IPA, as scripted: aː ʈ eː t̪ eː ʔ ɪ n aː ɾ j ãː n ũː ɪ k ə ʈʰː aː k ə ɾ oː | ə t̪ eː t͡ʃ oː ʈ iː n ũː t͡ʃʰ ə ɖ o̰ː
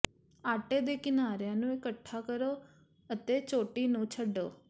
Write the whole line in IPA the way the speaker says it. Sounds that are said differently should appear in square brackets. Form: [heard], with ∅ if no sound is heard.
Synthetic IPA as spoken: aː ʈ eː [d̪] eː [k] ɪ n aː ɾ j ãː n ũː ɪ k ə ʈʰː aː k ə ɾ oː | ə t̪ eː t͡ʃ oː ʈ iː n ũː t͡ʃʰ ə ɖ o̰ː